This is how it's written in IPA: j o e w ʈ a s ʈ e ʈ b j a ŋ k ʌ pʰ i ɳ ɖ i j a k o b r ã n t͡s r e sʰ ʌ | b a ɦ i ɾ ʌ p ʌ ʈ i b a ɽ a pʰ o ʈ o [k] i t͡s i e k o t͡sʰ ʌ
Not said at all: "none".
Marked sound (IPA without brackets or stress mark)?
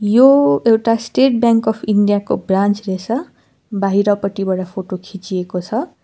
kʰ